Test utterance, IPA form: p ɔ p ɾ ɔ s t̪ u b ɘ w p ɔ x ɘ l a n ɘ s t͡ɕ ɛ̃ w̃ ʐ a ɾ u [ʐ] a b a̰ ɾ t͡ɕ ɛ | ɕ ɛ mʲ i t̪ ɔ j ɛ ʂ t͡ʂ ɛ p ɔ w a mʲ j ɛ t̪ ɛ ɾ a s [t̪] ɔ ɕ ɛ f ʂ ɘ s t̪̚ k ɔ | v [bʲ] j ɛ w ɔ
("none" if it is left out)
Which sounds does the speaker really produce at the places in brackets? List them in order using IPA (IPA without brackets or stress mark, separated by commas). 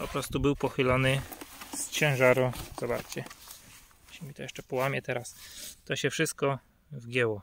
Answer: z, t̪, ɡʲ